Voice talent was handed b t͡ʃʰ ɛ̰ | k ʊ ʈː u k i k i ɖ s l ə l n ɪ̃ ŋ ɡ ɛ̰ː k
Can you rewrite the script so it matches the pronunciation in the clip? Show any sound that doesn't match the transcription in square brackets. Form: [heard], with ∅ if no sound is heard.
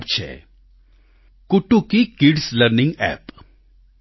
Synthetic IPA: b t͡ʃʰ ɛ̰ | k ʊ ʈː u k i k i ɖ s l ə [ɾ] n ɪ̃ ŋ ɡ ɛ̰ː [p]